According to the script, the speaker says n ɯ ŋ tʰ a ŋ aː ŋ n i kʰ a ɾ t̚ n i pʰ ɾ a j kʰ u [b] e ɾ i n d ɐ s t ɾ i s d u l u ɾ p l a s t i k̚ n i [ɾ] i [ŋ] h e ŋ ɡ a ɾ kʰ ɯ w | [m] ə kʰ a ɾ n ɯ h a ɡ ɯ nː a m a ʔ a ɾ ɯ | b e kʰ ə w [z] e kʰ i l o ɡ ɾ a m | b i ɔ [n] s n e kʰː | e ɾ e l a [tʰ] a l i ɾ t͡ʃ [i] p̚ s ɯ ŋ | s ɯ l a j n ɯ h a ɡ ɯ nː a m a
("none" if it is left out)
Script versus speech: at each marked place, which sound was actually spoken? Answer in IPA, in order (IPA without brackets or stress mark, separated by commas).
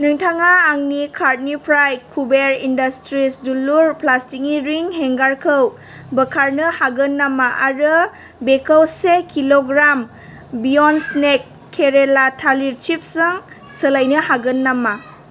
b, ɾ, ŋ, b, s, n, tʰ, i